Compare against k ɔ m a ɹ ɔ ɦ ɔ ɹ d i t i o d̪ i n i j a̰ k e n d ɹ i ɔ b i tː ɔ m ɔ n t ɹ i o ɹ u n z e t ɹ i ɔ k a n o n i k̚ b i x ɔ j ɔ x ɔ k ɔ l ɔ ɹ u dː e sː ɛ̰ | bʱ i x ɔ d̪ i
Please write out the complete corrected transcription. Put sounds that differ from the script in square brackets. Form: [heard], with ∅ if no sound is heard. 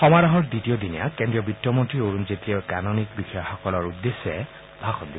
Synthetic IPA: [x] ɔ m a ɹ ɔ ɦ ɔ ɹ d i t i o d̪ i n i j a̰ k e n d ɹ i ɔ b i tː ɔ m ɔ n t ɹ i o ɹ u n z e t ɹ i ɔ k a n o n i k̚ b i x ɔ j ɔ x ɔ k ɔ l ɔ ɹ u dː e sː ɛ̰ | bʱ [a] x ɔ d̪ i